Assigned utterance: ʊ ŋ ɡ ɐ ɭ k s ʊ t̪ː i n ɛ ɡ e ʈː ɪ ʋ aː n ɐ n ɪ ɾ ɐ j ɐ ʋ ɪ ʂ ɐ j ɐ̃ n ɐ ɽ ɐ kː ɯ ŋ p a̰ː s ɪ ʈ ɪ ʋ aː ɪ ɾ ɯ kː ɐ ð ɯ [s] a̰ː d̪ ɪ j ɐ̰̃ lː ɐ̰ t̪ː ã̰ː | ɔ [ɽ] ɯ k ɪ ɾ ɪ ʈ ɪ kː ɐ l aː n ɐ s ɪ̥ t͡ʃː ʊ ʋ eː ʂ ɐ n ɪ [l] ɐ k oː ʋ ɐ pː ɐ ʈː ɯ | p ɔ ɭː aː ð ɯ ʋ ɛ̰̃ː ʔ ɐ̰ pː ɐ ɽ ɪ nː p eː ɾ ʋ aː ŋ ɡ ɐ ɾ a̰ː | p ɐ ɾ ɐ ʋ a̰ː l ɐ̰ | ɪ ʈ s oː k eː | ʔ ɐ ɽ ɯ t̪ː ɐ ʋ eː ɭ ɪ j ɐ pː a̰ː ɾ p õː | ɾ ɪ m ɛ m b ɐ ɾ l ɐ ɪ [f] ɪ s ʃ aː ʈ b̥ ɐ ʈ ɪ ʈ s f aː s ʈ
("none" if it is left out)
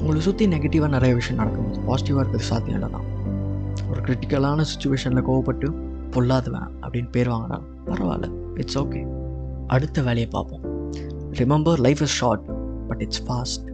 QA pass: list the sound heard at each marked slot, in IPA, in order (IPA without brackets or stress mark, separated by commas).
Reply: s, ɾ, l, f